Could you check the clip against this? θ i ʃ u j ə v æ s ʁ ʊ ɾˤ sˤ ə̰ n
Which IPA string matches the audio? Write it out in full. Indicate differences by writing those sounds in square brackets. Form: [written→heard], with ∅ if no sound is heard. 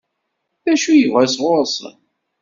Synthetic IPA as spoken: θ [i→æ] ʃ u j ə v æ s ʁ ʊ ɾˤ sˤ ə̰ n